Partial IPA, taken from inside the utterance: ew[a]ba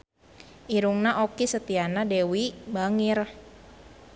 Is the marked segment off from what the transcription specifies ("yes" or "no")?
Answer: yes